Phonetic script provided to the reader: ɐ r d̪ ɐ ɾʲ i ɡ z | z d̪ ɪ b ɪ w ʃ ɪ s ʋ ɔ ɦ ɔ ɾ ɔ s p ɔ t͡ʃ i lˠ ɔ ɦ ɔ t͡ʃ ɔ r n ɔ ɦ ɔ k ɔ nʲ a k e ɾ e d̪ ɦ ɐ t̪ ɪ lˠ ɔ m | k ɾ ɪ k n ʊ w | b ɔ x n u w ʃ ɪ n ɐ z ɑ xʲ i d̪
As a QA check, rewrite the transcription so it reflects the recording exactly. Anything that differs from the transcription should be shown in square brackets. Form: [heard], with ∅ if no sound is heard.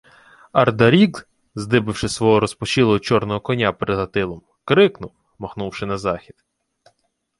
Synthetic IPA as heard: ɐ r d̪ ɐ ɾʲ i ɡ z | z d̪ ɪ b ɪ w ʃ ɪ s ʋ ɔ ɦ ɔ ɾ ɔ s p ɔ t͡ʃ i lˠ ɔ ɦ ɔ t͡ʃ ɔ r n ɔ ɦ ɔ k ɔ nʲ a [p] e ɾ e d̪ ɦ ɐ t̪ ɪ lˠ ɔ m | k ɾ ɪ k n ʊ w | [m] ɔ x n u w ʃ ɪ n ɐ z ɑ xʲ i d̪